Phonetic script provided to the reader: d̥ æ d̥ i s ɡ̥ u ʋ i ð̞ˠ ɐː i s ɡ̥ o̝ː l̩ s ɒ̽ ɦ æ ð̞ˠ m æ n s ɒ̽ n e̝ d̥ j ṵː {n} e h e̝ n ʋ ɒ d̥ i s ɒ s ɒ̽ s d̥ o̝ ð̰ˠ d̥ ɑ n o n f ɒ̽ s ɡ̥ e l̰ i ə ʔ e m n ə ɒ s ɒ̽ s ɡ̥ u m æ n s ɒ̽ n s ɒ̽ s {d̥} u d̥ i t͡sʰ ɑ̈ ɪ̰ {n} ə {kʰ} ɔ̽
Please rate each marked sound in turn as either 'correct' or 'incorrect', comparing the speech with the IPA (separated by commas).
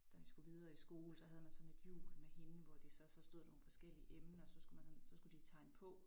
incorrect, incorrect, correct, incorrect